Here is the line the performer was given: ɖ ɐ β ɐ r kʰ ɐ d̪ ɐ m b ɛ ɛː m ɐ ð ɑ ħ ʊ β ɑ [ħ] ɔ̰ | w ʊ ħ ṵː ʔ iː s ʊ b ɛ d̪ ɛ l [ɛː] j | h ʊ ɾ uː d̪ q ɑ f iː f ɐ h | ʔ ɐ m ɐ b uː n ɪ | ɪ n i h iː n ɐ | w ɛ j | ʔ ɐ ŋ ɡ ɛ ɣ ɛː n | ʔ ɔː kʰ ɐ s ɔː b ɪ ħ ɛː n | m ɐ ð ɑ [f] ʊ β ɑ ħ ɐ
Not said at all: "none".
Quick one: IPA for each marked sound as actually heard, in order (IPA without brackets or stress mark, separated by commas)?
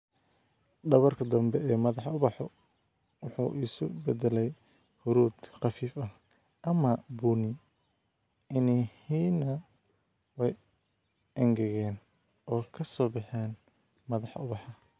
ħ, ɛ, ħ